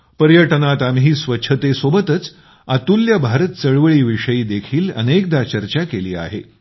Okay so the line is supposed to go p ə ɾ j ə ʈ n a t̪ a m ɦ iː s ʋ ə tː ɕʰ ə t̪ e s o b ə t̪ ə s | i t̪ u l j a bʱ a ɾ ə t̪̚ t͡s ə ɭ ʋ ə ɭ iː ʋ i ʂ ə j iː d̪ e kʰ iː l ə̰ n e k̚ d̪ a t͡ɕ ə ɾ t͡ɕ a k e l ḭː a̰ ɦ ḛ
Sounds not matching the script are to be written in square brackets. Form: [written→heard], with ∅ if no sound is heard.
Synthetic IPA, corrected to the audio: p ə ɾ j ə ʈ n a t̪ a m ɦ iː s ʋ ə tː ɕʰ ə t̪ e s o b ə t̪ ə [s→t͡s] | [i→a] t̪ u l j a bʱ a ɾ ə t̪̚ t͡s ə ɭ ʋ ə ɭ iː ʋ i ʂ ə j iː d̪ e kʰ iː l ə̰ n e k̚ d̪ a t͡ɕ ə ɾ t͡ɕ a k e l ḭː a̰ ɦ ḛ